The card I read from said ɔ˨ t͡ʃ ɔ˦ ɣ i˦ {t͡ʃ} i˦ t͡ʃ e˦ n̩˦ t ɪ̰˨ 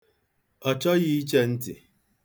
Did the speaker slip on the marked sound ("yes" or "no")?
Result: yes